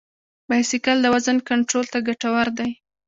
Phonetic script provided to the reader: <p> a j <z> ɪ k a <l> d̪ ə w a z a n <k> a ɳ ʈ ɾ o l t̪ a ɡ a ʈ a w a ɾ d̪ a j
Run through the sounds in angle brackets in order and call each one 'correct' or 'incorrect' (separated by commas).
incorrect, incorrect, correct, correct